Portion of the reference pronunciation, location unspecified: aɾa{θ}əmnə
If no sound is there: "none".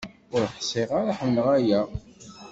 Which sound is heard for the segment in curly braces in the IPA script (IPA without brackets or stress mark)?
ħ